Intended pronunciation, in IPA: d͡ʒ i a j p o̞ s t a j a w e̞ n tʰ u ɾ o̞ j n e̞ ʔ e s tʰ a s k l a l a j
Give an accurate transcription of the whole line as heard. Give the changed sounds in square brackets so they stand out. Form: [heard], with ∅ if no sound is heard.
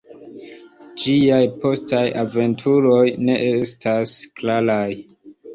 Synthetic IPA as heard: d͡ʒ i a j p o̞ s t a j a [v] e̞ n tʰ u ɾ o̞ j n e̞ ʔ e s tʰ a s k l a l a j

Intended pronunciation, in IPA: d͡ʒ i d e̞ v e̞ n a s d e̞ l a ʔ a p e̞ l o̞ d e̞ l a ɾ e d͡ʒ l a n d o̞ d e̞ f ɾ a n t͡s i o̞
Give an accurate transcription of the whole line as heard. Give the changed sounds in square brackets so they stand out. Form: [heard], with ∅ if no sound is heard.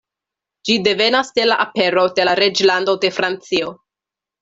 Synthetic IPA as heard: d͡ʒ i d e̞ v e̞ n a s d e̞ l a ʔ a p e̞ [ɾ] o̞ d e̞ l a ɾ e d͡ʒ l a n d o̞ d e̞ f ɾ a n t͡s i o̞

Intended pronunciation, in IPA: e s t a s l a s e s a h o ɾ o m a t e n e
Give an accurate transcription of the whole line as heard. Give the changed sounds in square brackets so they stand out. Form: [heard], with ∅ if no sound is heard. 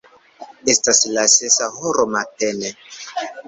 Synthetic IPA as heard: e s t a s l a s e s a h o ɾ o m a t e n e

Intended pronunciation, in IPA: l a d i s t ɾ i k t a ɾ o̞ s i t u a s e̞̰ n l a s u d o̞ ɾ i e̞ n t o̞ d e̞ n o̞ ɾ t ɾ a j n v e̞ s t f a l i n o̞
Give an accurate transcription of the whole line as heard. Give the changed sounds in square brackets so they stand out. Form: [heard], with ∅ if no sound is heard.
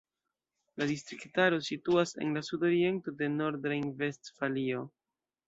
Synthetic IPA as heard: l a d i s t ɾ i k t a ɾ o̞ s i t u a s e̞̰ n l a s u d o̞ ɾ i e̞ n t o̞ d e̞ n o̞ ɾ [d] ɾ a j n v e̞ s t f a l i [∅] o̞

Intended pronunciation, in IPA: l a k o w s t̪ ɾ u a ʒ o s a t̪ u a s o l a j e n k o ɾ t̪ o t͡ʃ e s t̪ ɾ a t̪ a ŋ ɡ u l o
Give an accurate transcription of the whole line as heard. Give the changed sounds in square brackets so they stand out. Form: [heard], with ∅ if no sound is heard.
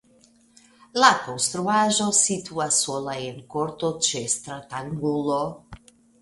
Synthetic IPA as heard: l a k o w s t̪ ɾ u a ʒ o s [i] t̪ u a s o l a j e n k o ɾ t̪ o t͡ʃ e s t̪ ɾ a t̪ a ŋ ɡ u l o

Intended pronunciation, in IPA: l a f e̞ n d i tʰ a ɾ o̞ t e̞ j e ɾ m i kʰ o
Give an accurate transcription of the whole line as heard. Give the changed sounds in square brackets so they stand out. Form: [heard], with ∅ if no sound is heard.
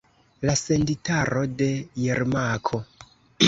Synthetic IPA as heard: l a [s] e̞ n d i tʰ a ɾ o̞ [d] e̞ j e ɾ m [a] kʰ o

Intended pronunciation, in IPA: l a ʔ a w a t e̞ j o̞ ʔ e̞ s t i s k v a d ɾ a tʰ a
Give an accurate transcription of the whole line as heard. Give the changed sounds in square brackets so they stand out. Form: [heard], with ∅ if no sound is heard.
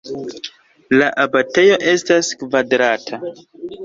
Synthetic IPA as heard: l a ʔ a [b] a t e̞ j o̞ ʔ e̞ s t [a] s k v a d ɾ a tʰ a

